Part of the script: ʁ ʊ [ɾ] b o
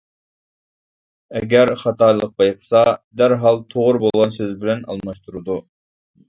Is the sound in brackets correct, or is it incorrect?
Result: correct